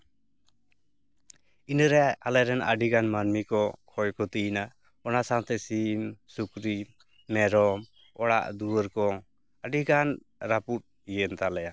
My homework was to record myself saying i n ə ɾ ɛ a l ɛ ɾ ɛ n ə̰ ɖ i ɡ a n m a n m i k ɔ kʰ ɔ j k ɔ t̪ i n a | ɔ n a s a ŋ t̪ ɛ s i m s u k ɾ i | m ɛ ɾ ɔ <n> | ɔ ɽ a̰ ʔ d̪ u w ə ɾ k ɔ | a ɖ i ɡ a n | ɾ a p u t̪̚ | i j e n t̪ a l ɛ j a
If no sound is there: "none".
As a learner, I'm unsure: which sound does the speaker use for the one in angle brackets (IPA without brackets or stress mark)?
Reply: m